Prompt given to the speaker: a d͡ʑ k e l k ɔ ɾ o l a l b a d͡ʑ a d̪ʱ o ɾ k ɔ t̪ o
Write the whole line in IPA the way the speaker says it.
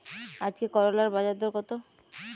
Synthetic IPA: a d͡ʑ k e k ɔ ɾ o l a ɾ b a d͡ʑ a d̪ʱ o ɾ k ɔ t̪ o